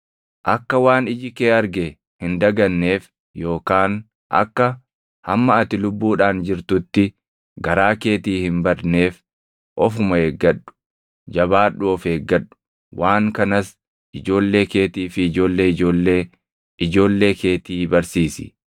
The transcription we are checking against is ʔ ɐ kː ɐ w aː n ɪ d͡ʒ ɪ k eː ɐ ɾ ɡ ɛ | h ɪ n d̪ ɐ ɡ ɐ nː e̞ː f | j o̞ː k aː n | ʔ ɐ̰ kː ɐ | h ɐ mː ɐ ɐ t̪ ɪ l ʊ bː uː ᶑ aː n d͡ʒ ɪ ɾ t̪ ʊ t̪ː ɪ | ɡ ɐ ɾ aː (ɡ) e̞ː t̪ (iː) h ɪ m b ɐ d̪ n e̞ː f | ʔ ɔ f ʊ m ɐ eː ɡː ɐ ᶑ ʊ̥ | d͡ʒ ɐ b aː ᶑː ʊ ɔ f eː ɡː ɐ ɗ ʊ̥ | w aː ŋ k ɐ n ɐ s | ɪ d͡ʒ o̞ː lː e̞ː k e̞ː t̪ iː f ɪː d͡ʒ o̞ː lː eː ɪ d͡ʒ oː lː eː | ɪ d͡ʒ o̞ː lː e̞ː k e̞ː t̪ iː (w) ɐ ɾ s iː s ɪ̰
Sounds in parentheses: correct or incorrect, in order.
incorrect, correct, incorrect

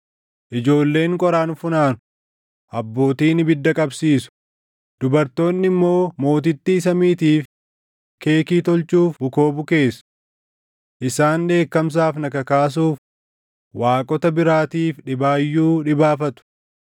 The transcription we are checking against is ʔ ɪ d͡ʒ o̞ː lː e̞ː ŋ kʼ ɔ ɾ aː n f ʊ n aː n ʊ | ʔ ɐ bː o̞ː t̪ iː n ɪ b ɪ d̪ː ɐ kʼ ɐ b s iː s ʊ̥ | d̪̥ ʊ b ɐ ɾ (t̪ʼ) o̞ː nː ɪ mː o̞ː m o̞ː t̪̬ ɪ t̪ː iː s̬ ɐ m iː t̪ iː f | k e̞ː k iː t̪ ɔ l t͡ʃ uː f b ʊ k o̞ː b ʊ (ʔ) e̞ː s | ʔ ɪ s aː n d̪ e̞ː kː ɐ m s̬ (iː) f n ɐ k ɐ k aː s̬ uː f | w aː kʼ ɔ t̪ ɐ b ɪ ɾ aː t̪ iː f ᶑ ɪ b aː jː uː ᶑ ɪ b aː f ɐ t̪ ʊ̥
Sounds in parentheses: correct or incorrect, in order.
incorrect, incorrect, incorrect

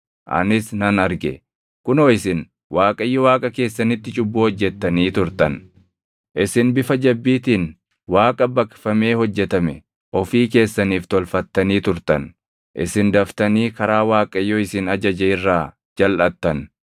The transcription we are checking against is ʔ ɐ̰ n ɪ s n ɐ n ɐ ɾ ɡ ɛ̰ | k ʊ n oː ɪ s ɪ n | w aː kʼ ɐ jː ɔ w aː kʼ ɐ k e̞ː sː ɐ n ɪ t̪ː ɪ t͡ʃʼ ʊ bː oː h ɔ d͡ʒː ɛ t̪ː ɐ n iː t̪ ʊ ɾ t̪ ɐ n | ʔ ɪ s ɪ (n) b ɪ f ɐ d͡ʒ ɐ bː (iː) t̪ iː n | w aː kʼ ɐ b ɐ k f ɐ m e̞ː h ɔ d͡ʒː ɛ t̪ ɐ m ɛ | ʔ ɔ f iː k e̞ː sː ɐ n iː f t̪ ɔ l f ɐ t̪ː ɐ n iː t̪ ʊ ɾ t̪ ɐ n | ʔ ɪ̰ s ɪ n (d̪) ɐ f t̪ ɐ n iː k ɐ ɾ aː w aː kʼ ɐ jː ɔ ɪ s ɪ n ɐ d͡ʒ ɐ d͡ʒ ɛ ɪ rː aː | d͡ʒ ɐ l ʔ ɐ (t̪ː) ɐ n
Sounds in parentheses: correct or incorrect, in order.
correct, correct, correct, correct

